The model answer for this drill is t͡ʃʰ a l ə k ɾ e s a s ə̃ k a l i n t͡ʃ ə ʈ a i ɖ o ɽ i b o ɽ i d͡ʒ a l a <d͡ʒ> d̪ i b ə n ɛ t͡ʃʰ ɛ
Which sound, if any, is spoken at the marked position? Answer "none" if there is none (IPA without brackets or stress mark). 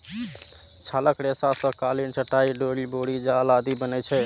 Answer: none